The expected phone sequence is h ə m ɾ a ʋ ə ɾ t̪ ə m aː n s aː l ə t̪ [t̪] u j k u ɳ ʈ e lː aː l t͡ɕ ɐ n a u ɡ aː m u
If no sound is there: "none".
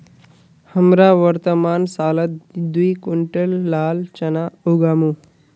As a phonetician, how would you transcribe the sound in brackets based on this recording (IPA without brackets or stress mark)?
d̪